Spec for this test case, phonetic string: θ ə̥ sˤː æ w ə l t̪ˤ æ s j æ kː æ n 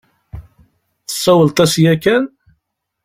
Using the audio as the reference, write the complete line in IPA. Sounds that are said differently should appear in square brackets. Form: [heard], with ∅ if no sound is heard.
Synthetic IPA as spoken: θ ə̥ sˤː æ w ə l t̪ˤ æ s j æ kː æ n